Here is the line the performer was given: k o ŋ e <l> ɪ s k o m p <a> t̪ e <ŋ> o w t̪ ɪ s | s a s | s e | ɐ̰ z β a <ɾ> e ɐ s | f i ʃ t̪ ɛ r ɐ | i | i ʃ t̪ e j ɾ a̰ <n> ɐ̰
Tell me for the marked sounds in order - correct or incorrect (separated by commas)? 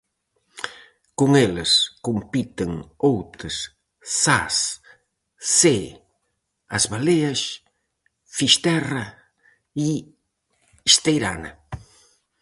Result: correct, incorrect, correct, incorrect, correct